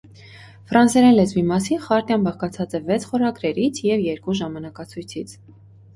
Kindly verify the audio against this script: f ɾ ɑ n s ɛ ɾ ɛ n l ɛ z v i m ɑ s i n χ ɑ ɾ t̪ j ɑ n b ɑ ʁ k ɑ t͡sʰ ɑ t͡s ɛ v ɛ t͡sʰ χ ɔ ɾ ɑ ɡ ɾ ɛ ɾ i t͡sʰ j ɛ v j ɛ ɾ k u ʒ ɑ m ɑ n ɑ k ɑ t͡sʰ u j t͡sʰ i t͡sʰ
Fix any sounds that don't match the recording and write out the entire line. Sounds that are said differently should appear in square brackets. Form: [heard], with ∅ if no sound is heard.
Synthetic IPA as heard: f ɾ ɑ n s ɛ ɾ ɛ n l ɛ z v i m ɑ s i n χ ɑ ɾ t̪ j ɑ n b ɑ ʁ k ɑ t͡sʰ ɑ t͡s ɛ v ɛ t͡sʰ χ ɔ ɾ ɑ ɡ ɾ ɛ ɾ i t͡sʰ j ɛ v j ɛ ɾ k u ʒ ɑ m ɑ n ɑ k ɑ t͡sʰ u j t͡sʰ i t͡sʰ